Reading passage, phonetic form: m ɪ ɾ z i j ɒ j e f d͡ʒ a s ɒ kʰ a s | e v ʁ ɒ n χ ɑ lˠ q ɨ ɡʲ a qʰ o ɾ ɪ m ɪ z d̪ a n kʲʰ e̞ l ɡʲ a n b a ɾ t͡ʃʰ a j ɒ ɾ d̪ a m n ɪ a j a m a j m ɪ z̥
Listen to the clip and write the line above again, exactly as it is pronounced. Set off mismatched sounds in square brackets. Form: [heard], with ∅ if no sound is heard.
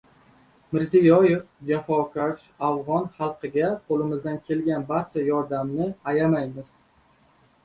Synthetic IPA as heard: m ɪ ɾ z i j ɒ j e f d͡ʒ a [f] ɒ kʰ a [ʃ] | [a] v ʁ ɒ n χ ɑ lˠ q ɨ ɡʲ a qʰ o [l] ɪ m ɪ z d̪ a n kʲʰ e̞ l ɡʲ a n b a ɾ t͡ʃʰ a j ɒ ɾ d̪ a m n ɪ a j a m a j m ɪ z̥